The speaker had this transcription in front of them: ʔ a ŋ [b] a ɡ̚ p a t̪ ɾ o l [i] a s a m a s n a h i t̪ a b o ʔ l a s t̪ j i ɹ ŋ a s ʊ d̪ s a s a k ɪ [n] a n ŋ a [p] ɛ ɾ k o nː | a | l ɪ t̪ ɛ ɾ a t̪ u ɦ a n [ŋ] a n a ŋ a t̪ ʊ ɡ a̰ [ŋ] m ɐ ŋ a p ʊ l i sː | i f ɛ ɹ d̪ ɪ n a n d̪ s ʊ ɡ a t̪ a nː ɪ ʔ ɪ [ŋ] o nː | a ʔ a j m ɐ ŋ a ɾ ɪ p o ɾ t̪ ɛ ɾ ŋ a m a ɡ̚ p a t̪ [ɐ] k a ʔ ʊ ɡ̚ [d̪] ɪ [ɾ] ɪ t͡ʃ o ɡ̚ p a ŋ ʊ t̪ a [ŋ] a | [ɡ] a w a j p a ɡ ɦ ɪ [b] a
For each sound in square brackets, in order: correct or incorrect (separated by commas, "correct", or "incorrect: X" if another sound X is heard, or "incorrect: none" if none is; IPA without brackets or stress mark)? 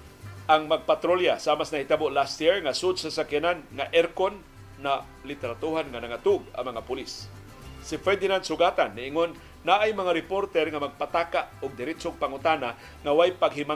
incorrect: m, incorrect: j, correct, incorrect: ʔ, correct, correct, correct, incorrect: a, correct, correct, incorrect: n, incorrect: ŋ, incorrect: m